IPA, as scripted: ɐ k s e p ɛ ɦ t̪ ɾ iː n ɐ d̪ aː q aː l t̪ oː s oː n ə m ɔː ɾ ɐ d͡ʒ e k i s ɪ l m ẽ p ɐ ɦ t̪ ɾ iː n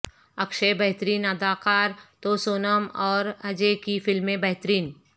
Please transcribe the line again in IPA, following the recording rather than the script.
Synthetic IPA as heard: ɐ k ʃ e b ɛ ɦ t̪ ɾ iː n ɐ d̪ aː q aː ɾ t̪ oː s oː n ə m ɔː ɾ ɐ d͡ʒ e k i f ɪ l m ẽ b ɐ ɦ t̪ ɾ iː n